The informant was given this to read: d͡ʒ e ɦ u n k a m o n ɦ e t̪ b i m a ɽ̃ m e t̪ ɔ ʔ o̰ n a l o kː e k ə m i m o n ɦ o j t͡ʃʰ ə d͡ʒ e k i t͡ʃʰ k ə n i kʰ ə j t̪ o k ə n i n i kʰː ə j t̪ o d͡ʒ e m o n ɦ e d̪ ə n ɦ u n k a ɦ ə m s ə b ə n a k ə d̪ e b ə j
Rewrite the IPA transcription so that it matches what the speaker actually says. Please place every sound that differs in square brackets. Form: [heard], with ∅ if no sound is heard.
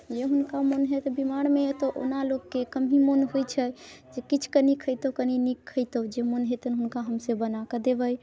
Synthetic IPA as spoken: d͡ʒ e ɦ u n k a m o n ɦ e t̪ b i m a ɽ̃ m e t̪ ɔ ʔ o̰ n a l o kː e k ə m i m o n ɦ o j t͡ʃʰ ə d͡ʒ e k i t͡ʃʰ k ə n i kʰ ə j t̪ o k ə n i n i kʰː ə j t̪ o d͡ʒ e m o n ɦ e [t̪] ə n ɦ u n k a ɦ ə m s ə b ə n a k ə d̪ e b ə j